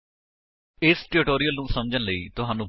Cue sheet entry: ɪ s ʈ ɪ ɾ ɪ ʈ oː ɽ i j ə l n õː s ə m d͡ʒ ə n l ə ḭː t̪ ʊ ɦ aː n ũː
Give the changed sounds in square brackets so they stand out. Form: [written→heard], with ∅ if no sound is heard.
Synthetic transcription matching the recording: ɪ s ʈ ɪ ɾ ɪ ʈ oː [ɽ→ɾ] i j ə l n [õː→ũː] s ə m d͡ʒ ə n l ə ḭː t̪ ʊ ɦ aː n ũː

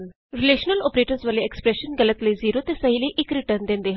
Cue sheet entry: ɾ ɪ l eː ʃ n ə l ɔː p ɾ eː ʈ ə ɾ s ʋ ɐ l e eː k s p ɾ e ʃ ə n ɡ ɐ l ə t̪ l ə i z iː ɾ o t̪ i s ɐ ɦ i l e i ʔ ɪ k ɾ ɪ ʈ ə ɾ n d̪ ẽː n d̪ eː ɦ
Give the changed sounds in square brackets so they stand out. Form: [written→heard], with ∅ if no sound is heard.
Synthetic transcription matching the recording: ɾ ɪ l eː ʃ n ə l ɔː p ɾ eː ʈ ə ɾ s ʋ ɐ l e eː k s p ɾ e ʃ ə n ɡ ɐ l ə t̪ l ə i z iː ɾ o t̪ [i→e] s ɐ ɦ i l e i ʔ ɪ k ɾ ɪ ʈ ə ɾ n d̪ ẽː n d̪ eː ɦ

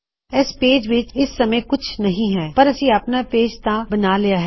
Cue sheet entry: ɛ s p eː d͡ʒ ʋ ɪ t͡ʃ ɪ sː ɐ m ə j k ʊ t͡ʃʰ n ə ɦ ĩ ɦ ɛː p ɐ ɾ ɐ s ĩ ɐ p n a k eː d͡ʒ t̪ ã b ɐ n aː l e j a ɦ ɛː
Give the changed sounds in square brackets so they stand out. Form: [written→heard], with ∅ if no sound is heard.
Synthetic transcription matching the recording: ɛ s p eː d͡ʒ ʋ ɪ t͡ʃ ɪ sː ɐ m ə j k ʊ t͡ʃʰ n [ə→ɐ] ɦ ĩ ɦ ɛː p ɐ ɾ ɐ s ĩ ɐ p n a [k→p] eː d͡ʒ t̪ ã b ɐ n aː l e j a ɦ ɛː

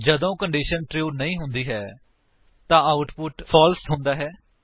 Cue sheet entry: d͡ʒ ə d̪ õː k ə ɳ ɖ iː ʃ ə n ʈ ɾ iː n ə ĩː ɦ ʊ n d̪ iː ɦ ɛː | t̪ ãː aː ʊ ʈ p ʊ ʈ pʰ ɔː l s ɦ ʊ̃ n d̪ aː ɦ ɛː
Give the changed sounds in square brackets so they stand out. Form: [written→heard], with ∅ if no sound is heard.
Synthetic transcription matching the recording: d͡ʒ ə d̪ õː k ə ɳ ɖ iː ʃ ə n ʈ ɾ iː n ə ĩː ɦ ʊ n d̪ iː ɦ ɛː | t̪ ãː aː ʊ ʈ p ʊ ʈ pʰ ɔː l s ɦ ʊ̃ n d̪ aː ɦ ɛː

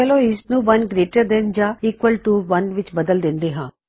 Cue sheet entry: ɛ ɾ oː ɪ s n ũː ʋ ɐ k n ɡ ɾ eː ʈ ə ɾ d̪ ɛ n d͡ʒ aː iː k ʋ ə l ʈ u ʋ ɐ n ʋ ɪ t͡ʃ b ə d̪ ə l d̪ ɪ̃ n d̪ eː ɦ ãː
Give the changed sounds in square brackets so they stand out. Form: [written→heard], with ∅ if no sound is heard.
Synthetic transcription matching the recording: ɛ [ɾ→l] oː ɪ s n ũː ʋ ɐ [k→∅] n ɡ ɾ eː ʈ ə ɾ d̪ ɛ n d͡ʒ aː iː k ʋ ə l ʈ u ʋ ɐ n ʋ ɪ t͡ʃ b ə d̪ ə l d̪ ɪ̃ n d̪ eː ɦ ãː

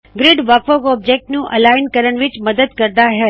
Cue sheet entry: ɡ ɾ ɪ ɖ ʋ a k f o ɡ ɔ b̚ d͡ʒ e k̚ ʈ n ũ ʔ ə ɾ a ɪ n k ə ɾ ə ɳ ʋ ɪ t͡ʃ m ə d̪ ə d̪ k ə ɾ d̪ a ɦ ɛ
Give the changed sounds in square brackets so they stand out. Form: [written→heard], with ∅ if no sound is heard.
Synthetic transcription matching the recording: ɡ ɾ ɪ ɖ ʋ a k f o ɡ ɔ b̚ d͡ʒ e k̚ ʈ n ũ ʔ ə [ɾ→l] a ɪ n k ə ɾ ə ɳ ʋ ɪ t͡ʃ m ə d̪ ə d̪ k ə ɾ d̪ a ɦ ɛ

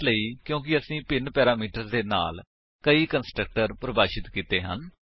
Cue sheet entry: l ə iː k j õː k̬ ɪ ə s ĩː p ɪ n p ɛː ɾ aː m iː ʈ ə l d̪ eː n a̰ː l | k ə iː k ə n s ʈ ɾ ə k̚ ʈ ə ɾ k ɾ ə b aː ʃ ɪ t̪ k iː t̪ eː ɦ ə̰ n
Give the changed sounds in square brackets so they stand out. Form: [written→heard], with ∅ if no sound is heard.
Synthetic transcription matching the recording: l ə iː k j õː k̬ ɪ ə s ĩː p ɪ n p ɛː ɾ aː m iː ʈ ə [l→ɾ] d̪ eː n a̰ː l | k ə iː k ə n s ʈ ɾ ə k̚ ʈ ə ɾ [k→p] ɾ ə b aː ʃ ɪ t̪ k iː t̪ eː ɦ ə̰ n

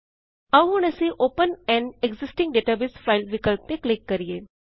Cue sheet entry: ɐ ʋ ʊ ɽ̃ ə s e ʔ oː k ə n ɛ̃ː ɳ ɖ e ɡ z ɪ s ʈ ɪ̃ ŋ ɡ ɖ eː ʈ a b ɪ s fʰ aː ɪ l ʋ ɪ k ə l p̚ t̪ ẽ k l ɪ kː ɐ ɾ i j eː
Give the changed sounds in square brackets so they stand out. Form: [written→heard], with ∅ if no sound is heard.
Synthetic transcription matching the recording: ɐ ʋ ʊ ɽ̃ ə s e ʔ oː [k→p] ə n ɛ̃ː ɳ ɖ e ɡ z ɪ s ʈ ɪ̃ ŋ ɡ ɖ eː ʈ a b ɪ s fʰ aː ɪ l ʋ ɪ k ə l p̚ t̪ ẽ k l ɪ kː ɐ ɾ i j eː

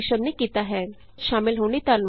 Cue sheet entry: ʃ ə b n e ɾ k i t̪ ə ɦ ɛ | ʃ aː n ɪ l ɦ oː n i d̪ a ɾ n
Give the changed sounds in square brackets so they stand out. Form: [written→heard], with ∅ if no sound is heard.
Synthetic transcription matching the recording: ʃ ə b n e [ɾ→∅] k i t̪ [ə→a] ɦ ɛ | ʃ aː [n→m] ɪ l ɦ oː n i [d̪→t̪] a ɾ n

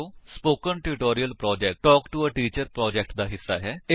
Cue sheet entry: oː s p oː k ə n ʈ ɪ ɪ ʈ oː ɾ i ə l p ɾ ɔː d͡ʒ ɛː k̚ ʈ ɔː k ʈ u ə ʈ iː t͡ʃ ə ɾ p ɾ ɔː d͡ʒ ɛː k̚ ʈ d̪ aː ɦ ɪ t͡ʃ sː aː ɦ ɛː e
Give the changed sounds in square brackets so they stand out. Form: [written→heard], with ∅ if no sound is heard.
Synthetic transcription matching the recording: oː s p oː k ə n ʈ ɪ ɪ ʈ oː ɾ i ə l p ɾ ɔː d͡ʒ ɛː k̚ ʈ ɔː k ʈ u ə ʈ iː t͡ʃ ə ɾ p ɾ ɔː d͡ʒ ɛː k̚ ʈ d̪ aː ɦ ɪ [t͡ʃ→∅] sː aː ɦ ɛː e

